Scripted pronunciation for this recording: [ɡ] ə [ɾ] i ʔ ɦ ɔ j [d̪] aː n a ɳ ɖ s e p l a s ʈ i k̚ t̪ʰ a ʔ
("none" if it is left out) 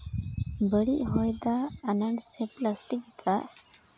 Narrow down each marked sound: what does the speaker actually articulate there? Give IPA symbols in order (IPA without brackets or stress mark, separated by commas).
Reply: b, ɽ, d̪